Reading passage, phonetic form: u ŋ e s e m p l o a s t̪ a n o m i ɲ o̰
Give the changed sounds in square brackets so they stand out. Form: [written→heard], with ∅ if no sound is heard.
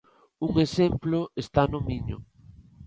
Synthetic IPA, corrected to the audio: u ŋ e s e m p l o [a→e] s t̪ a n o m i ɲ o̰